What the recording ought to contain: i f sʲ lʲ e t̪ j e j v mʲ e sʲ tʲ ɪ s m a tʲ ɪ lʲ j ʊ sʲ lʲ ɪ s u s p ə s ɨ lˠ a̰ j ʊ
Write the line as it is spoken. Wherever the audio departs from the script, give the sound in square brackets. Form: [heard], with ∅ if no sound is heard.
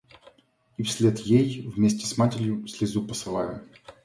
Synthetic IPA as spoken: i f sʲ lʲ e t̪ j e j v mʲ e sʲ tʲ ɪ s m a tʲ ɪ [ɾʲ] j ʊ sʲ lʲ ɪ [z] u [∅] p ə s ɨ lˠ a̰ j ʊ